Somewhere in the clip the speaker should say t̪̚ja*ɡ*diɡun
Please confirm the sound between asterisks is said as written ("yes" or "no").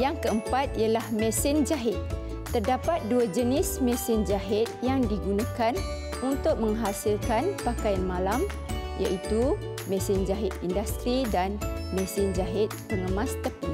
no